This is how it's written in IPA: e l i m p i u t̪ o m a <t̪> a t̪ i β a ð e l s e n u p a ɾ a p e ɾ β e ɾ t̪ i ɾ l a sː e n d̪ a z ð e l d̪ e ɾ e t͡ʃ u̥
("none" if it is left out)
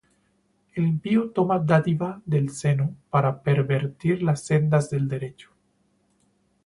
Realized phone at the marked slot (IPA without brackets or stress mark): d̪